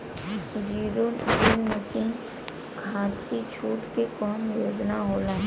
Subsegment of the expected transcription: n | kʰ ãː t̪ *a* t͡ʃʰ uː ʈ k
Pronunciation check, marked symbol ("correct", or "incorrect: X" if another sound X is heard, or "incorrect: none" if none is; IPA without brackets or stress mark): incorrect: i